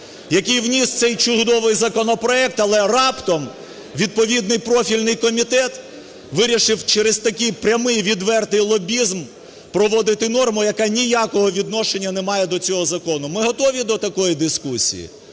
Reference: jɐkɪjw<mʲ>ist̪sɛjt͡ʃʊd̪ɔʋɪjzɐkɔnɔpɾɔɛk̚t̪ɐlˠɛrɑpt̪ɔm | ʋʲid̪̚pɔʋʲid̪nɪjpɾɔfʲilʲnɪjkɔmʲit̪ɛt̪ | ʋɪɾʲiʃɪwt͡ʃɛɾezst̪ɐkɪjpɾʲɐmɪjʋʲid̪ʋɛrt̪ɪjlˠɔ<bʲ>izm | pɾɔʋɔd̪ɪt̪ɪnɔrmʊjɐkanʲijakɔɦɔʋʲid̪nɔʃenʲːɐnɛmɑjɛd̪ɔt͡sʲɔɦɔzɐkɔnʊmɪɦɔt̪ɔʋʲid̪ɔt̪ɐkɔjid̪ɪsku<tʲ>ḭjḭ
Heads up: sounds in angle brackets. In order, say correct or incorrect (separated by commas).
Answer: incorrect, correct, incorrect